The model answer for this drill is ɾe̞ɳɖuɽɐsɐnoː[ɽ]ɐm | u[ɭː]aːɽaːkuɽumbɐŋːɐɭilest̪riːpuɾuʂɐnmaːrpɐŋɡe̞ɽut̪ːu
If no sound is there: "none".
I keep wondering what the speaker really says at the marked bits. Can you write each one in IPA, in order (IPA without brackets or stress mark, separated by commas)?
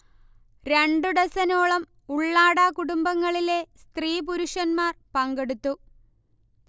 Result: ɭ, ɭː